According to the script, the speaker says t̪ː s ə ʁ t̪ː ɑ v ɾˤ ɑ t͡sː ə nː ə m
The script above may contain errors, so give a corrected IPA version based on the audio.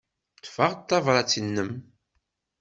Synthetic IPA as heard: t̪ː f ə ʁ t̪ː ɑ v ɾˤ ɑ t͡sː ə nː ə m